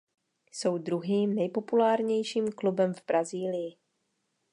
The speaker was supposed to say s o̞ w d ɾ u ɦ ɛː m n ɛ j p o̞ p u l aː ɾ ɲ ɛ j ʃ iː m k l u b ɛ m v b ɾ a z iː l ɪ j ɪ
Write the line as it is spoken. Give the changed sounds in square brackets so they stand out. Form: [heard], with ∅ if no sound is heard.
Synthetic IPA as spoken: s o̞ w d ɾ u ɦ [iː] m n ɛ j p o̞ p u l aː ɾ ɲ ɛ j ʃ iː m k l u b ɛ m v b ɾ a z iː l ɪ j ɪ